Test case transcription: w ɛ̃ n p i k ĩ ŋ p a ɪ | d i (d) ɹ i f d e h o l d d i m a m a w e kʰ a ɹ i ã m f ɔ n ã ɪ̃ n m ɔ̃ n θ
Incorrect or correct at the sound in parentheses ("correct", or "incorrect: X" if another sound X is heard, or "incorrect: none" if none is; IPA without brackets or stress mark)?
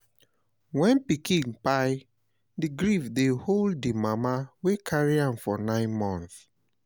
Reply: incorrect: ɡ